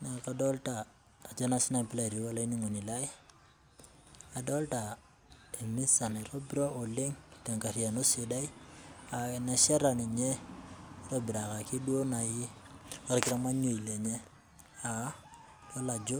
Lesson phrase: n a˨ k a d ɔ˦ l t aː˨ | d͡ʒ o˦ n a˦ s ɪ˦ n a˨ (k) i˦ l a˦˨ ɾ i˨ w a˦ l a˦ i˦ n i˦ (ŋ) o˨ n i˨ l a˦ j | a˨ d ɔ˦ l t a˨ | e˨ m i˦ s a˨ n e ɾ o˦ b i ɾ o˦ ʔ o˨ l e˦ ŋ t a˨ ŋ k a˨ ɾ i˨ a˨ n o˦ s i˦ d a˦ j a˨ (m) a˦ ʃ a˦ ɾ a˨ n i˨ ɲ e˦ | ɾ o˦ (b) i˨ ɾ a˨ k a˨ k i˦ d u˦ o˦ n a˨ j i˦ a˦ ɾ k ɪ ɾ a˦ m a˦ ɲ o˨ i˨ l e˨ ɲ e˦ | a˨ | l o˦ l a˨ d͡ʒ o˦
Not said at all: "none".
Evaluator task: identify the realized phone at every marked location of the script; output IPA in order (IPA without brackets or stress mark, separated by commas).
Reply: p, ŋ, n, b